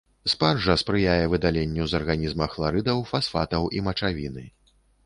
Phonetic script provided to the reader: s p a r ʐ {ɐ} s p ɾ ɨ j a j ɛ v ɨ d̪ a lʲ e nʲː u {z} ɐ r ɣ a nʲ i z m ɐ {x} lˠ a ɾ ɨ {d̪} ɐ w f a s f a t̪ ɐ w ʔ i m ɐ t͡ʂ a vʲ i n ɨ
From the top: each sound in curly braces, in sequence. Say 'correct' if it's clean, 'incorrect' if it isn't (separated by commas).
correct, correct, correct, correct